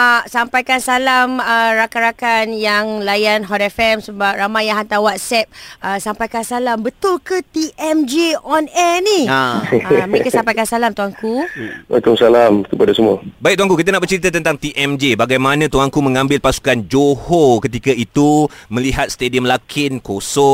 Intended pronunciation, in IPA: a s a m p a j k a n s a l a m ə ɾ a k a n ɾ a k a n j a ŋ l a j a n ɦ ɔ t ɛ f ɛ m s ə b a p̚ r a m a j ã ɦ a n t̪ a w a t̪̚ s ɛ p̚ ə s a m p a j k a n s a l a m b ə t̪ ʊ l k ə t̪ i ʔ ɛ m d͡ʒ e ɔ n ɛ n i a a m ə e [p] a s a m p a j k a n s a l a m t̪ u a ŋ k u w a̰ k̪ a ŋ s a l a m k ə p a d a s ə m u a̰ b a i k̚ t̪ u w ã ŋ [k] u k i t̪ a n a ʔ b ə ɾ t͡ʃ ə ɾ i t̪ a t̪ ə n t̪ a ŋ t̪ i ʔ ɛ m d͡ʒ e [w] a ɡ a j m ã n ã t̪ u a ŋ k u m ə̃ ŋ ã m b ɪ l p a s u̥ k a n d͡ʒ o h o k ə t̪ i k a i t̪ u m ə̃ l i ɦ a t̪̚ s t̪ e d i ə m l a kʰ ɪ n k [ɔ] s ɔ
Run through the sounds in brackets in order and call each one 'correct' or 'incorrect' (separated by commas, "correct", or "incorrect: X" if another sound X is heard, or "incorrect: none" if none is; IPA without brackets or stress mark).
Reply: incorrect: k, correct, incorrect: b, incorrect: o